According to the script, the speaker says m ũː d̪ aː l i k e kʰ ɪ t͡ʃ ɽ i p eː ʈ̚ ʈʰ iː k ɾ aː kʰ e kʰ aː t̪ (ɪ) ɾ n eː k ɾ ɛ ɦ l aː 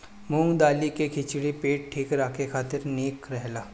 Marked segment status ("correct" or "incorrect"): correct